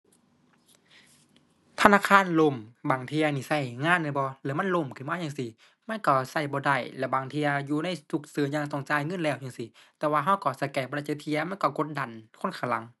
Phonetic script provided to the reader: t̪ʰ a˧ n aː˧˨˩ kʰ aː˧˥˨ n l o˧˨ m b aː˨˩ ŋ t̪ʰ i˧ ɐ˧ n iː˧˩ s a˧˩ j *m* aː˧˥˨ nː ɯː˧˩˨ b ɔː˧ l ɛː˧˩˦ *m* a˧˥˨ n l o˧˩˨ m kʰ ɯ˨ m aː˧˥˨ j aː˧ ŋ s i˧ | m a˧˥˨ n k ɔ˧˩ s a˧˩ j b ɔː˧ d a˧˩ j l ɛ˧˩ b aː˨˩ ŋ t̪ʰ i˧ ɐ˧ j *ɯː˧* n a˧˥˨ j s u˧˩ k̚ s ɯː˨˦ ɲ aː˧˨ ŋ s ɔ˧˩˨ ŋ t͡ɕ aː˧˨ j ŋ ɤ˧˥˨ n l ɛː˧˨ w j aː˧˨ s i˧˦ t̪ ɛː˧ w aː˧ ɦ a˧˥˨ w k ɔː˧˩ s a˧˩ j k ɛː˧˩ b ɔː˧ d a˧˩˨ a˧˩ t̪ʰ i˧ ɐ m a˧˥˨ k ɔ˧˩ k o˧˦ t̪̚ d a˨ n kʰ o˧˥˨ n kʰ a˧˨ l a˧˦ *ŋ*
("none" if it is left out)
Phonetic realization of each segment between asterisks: ŋ, m, uː˧, ŋ

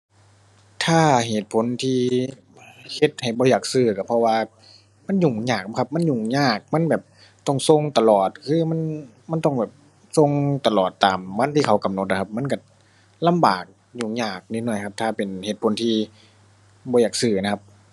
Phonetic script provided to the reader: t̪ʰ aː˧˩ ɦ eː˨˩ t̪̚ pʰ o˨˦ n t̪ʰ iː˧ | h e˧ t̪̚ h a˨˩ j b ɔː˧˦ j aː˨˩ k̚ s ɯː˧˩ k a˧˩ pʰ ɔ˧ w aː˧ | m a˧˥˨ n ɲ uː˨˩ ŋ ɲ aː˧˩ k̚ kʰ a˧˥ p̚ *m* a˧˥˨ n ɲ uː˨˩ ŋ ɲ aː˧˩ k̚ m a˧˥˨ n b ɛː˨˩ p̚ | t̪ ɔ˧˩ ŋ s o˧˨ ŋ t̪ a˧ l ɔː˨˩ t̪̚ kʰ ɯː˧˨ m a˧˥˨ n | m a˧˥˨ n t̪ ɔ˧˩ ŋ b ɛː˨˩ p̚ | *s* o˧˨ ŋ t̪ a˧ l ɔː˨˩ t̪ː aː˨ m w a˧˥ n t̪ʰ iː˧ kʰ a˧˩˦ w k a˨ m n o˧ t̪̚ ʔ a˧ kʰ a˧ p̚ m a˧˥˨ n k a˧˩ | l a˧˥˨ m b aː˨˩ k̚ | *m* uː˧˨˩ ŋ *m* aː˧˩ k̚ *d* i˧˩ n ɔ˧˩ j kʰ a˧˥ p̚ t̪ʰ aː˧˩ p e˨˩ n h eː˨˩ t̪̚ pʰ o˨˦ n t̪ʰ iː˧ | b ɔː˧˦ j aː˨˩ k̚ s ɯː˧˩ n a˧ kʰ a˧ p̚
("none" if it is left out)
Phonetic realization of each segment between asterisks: m, s, ɲ, ɲ, n

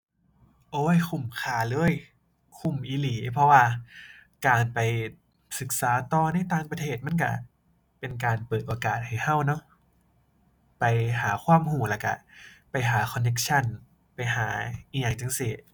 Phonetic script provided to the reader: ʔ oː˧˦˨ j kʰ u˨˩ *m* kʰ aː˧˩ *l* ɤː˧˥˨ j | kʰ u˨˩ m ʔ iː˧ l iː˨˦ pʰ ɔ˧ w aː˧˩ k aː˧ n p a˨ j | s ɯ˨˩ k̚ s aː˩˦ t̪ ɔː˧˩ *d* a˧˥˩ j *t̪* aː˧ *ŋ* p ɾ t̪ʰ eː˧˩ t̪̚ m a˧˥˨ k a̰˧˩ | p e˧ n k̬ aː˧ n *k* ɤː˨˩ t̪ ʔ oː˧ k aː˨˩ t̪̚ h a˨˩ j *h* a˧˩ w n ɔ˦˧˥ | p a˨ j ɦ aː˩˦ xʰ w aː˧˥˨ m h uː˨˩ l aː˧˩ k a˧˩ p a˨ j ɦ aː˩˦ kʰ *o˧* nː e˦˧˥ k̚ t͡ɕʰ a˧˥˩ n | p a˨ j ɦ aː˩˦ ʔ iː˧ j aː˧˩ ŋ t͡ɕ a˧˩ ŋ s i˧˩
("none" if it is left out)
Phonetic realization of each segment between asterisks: m, l, n, t̪, ŋ, p, h, ɔ˧

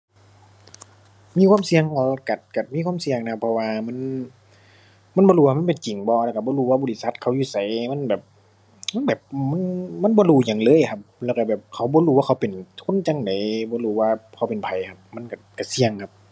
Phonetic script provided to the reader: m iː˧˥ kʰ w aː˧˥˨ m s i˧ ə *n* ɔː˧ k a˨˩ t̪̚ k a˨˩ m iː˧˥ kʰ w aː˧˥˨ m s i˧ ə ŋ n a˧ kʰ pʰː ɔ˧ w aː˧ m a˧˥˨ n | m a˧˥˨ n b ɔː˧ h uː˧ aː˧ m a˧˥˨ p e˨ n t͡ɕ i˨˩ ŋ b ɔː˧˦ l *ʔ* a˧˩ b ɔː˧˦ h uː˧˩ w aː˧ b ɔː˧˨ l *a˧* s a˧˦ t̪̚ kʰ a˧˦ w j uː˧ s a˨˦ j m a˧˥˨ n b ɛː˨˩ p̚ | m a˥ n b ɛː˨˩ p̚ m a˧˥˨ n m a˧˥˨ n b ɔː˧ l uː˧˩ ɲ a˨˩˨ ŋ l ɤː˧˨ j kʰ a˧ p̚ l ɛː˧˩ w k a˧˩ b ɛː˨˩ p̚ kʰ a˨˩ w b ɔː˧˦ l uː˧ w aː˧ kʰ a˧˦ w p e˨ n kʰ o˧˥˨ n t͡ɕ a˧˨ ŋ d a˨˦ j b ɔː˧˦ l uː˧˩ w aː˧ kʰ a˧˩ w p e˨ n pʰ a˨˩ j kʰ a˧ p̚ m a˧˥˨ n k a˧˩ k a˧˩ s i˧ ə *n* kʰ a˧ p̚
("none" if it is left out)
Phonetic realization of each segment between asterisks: ŋ, k, i˧, ŋ

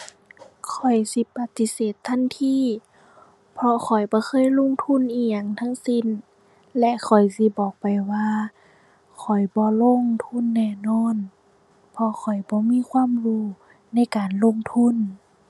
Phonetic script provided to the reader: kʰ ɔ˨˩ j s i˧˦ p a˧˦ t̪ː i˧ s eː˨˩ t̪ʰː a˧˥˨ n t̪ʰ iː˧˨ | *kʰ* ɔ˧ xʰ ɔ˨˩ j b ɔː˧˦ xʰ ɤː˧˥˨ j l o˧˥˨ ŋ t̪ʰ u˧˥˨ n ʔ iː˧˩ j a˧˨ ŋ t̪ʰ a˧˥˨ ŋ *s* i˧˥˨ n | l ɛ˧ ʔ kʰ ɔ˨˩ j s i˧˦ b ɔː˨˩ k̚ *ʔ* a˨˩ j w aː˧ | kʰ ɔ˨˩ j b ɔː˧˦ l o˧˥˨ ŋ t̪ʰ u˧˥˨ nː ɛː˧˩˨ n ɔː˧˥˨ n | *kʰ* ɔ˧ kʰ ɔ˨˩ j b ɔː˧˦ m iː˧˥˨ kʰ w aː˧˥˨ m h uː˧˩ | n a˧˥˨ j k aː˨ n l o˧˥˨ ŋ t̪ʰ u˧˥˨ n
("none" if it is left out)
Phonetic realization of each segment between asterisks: pʰ, s, p, pʰ

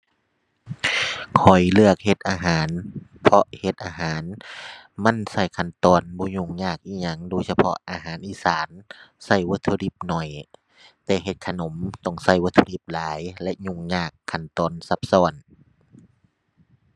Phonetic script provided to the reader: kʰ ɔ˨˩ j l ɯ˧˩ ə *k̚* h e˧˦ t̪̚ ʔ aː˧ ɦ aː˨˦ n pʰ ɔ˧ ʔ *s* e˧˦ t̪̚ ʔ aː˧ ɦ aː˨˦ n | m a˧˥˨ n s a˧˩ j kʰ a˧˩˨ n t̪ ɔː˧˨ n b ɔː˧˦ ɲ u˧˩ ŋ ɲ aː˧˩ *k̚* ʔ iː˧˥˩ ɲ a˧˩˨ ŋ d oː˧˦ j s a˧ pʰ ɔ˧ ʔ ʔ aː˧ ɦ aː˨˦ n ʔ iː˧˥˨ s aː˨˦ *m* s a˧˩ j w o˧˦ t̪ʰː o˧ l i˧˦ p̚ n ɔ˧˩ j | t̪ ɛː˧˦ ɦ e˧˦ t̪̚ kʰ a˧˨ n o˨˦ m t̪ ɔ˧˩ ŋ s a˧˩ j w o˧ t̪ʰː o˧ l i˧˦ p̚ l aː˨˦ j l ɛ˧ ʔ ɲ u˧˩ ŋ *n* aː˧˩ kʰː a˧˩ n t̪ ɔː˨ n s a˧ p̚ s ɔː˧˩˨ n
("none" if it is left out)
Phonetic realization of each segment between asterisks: k̚, h, k̚, n, ɲ

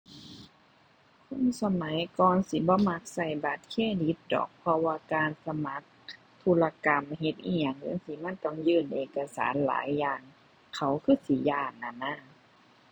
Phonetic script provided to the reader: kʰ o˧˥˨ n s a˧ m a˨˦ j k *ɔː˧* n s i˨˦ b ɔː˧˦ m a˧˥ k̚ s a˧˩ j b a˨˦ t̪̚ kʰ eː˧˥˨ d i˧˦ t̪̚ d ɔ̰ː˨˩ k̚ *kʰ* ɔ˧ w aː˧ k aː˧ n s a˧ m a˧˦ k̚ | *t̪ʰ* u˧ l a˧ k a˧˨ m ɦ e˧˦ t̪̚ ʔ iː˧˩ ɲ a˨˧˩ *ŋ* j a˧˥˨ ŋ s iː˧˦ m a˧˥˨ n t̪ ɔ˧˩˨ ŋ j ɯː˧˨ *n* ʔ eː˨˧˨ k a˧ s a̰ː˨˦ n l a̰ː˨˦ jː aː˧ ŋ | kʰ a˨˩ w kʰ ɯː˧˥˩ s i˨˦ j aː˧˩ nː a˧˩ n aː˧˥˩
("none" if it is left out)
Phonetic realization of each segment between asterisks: ɔː˧, pʰ, t̪ʰ, ŋ, n

